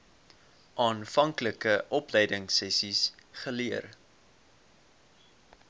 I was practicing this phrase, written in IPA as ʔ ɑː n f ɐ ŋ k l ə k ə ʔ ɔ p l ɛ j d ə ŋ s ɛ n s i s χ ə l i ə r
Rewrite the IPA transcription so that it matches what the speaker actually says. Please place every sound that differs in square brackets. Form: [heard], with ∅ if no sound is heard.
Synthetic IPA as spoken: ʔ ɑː n f ɐ ŋ k l ə k ə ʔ ɔ p l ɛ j d ə ŋ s ɛ [∅] s i s χ ə l i ə r